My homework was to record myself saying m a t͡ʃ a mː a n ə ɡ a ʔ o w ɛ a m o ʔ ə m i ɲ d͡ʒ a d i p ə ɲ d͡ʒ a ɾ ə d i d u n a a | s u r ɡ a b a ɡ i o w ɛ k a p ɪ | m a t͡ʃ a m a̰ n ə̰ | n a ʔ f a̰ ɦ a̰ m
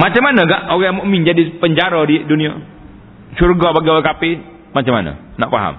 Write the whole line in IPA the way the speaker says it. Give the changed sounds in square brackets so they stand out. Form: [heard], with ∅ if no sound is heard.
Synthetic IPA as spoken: m a t͡ʃ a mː a n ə ɡ a ʔ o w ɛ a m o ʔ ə m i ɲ d͡ʒ a d i p ə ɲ d͡ʒ a ɾ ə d i d u n [i] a | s u r ɡ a b a ɡ i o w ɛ k a p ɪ | m a t͡ʃ a m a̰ n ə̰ | n a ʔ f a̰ ɦ a̰ m